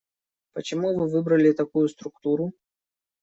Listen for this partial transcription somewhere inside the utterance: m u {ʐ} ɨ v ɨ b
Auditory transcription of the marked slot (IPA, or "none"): v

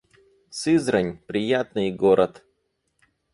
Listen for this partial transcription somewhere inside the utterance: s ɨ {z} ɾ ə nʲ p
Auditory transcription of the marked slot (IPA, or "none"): z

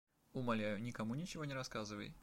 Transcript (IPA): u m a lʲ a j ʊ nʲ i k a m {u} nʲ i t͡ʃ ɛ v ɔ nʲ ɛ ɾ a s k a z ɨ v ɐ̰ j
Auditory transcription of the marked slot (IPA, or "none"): u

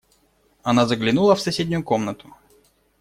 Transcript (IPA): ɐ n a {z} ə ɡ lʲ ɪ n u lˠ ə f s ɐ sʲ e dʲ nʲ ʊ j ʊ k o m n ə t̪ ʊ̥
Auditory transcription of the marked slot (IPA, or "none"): z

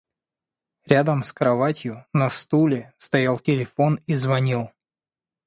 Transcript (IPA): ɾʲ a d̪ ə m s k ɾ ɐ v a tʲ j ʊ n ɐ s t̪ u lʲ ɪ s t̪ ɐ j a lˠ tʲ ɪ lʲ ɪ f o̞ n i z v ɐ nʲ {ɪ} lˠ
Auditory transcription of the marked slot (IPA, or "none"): i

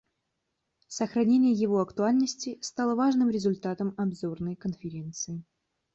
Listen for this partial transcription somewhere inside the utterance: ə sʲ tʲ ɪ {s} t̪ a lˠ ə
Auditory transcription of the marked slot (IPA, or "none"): s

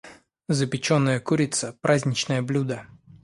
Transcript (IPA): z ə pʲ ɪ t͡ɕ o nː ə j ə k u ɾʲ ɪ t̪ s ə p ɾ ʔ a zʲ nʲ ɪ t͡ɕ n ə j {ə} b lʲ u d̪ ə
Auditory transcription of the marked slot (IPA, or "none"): ə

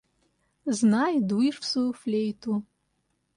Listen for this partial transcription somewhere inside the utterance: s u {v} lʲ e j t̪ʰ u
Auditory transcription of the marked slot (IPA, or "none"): f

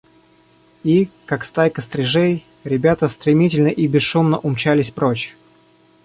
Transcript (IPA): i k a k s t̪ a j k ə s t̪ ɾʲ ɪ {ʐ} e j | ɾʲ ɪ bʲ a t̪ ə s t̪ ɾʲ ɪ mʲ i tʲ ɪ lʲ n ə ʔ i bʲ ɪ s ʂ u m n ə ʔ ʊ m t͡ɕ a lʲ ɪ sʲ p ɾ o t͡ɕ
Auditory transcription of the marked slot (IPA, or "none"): ʐ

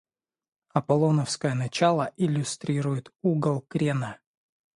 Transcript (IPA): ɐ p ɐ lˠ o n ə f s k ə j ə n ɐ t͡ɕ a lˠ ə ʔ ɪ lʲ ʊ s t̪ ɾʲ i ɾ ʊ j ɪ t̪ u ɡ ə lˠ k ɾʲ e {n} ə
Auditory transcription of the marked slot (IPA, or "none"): n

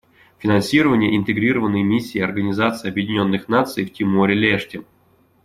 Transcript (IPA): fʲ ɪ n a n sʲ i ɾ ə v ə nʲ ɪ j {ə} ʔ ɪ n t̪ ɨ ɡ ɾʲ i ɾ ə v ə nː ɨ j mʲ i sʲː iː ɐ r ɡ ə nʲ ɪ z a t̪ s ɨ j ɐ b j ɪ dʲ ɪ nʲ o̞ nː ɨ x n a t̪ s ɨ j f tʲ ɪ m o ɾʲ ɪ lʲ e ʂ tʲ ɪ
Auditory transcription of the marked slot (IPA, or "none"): ə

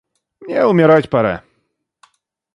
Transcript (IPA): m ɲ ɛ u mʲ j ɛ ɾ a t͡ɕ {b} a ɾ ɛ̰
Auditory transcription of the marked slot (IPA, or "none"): p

